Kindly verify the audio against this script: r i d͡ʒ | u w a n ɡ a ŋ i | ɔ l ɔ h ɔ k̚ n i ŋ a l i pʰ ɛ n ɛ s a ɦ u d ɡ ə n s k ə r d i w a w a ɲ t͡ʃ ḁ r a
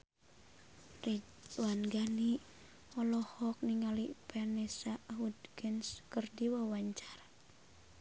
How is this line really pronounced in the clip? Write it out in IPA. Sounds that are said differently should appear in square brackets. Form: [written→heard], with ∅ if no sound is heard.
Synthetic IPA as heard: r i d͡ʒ | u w a n ɡ a [ŋ→n] i | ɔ l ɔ h ɔ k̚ n i ŋ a l i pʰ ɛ n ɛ s a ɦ u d ɡ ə n s k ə r d i w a w a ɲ t͡ʃ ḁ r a